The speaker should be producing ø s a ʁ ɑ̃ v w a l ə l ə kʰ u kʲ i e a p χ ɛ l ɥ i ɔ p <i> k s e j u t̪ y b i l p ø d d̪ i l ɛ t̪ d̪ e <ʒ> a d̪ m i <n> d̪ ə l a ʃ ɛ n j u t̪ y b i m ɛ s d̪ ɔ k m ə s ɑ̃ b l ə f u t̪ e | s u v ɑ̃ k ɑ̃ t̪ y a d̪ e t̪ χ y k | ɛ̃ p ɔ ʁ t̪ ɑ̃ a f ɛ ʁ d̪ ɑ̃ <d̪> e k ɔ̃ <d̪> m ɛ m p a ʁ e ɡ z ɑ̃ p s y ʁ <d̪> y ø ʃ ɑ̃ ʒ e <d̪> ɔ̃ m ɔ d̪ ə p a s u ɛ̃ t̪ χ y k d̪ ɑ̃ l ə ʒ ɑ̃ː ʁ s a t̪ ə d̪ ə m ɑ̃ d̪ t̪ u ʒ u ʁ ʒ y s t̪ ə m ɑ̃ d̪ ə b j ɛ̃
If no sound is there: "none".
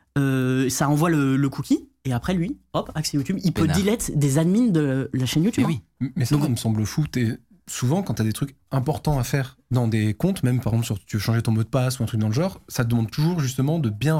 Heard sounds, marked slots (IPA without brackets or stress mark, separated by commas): a, z, n, d̪, t̪, t̪, t̪